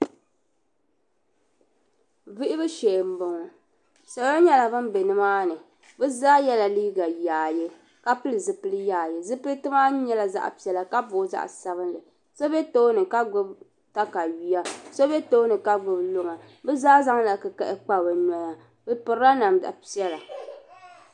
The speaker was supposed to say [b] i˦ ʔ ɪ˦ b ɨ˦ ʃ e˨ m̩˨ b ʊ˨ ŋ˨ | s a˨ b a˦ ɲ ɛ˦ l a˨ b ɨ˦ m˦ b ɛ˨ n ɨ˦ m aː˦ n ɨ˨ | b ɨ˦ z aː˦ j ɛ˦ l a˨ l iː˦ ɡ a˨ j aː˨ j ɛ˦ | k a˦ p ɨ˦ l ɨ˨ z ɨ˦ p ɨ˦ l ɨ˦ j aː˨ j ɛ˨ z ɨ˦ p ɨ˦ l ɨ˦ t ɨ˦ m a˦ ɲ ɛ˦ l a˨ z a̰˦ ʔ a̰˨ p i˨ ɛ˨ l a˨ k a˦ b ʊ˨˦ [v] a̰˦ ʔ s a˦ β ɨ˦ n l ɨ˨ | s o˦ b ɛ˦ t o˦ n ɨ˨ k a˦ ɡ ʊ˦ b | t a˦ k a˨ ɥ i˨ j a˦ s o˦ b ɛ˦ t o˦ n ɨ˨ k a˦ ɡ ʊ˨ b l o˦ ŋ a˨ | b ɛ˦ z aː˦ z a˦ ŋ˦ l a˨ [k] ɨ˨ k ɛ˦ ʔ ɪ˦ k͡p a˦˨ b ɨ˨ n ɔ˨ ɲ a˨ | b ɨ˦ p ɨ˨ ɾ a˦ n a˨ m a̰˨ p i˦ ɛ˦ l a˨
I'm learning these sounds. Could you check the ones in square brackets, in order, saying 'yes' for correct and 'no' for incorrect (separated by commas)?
no, no, yes